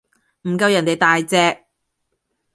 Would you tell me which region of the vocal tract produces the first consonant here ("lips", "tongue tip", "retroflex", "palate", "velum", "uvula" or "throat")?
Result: lips